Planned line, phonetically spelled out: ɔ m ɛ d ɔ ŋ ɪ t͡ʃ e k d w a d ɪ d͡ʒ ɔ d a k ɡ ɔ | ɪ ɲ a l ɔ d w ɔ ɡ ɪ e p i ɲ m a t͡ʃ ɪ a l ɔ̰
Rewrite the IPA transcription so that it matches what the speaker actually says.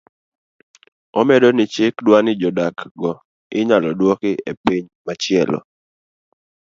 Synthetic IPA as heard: ɔ m ɛ d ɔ n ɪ t͡ʃ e k d w a n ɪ d͡ʒ ɔ d a k ɡ ɔ | ɪ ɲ a l ɔ d w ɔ k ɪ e p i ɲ m a t͡ʃ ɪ ɛ l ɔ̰